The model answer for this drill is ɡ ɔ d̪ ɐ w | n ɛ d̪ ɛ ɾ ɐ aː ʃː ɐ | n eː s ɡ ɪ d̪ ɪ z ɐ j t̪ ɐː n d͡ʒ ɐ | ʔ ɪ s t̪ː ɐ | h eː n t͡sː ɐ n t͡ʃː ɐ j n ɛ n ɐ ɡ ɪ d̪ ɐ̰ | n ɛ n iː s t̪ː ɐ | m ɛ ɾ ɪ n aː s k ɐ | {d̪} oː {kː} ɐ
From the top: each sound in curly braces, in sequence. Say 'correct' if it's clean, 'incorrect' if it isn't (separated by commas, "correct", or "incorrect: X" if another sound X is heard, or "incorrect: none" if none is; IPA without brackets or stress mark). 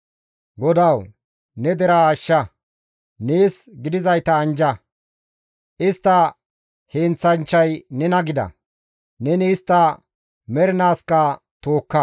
incorrect: t̪, correct